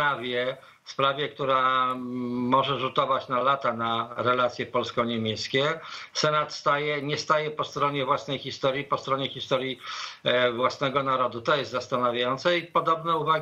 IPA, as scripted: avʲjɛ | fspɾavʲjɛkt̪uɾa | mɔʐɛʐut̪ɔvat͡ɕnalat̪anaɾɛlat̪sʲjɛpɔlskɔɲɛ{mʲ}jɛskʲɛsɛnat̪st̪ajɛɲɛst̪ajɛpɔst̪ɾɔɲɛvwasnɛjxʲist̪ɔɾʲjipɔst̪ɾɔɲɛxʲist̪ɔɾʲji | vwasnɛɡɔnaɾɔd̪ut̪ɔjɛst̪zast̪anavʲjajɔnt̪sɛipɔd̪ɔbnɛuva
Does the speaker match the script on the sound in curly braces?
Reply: yes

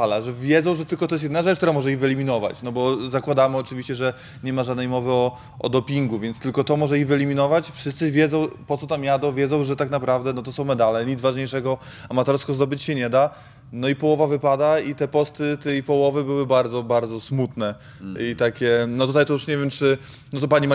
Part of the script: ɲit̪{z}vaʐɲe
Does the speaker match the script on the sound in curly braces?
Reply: yes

